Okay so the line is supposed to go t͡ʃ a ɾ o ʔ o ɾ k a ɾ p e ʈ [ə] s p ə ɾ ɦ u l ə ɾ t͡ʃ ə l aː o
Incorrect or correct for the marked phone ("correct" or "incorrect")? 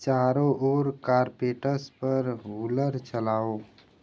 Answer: correct